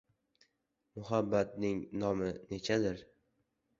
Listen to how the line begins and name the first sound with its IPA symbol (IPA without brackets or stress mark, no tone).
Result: m